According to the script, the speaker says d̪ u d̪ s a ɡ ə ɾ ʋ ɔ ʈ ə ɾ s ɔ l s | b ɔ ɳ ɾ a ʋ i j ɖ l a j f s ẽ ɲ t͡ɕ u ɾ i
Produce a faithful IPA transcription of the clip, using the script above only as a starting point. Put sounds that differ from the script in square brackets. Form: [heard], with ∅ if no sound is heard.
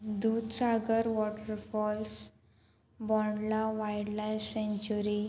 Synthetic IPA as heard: d̪ u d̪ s a ɡ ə ɾ ʋ ɔ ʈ ə ɾ [f] ɔ l s | b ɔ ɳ [l] a ʋ [a] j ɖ l a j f s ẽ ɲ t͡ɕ u ɾ i